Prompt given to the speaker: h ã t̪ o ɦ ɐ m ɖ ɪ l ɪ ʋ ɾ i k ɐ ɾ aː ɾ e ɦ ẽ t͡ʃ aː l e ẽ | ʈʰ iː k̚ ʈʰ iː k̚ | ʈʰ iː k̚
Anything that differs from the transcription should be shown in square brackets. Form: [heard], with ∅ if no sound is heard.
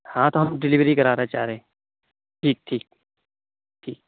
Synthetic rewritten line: h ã t̪ o ɦ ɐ m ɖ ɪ l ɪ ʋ ɾ i k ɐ ɾ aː ɾ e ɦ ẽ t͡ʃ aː [ɾ] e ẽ | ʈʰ iː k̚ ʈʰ iː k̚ | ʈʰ iː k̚